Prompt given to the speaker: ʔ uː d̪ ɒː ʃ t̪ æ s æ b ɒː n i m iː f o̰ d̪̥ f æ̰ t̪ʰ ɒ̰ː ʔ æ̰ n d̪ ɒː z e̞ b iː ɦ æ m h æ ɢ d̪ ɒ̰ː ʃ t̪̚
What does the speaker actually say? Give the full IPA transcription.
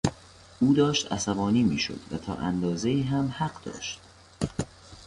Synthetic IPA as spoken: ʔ uː d̪ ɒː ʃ t̪ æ s æ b ɒː n iː m iː ʃ o̰ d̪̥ v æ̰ t̪ʰ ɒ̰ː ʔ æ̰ n d̪ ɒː z e̞ iː ɦ æ m h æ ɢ d̪ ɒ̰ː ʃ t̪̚